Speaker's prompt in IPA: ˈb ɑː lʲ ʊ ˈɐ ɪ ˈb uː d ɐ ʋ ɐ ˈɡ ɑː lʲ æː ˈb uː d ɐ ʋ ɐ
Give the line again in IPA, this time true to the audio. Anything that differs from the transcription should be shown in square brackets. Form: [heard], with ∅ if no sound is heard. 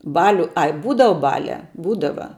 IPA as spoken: ˈb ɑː lʲ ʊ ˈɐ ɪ ˈb uː d ɐ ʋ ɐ [ˈb] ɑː lʲ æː ˈb uː d ɐ ʋ ɐ